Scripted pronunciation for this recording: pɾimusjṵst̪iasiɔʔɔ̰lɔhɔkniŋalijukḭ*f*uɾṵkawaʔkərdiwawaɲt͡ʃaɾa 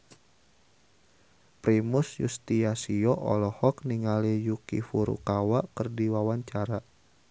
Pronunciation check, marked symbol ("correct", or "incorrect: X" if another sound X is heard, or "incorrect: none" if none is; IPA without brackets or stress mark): correct